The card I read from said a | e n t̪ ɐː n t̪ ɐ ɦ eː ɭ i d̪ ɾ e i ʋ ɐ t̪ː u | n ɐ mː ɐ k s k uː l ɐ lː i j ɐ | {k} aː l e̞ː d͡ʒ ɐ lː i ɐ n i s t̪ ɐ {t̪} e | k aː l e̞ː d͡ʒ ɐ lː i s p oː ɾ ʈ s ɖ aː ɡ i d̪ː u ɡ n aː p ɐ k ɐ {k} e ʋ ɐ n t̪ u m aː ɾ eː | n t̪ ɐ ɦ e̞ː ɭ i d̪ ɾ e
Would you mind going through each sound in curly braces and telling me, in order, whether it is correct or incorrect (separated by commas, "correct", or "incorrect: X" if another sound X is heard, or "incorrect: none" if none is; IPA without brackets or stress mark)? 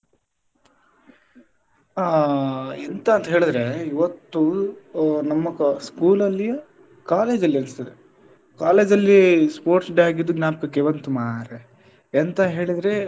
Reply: correct, incorrect: d̪, correct